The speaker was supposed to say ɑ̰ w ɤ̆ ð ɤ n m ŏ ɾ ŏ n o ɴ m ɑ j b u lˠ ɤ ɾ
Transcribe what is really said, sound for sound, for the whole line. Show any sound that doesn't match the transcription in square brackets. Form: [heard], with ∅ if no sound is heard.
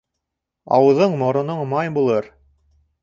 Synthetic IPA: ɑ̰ w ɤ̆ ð ɤ [ɴ] m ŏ ɾ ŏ n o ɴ m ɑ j b u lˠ ɤ ɾ